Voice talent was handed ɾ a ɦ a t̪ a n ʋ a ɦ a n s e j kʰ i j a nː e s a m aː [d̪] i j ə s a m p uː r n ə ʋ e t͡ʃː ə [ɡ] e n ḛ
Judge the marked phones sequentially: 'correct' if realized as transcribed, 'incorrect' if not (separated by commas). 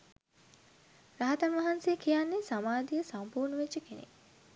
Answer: correct, incorrect